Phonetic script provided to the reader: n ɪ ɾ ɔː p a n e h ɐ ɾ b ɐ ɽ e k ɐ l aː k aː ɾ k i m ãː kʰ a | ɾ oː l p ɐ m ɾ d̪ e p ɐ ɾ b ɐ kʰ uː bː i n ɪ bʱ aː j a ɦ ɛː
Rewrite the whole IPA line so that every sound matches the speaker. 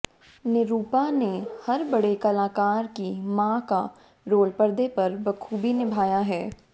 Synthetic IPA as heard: n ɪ ɾ uː p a n e h ɐ ɾ b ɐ ɽ e k ɐ l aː k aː ɾ k i m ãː k a | ɾ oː l p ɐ ɾ d̪ e p ɐ ɾ b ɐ kʰ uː b i n ɪ bʱ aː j a ɦ ɛː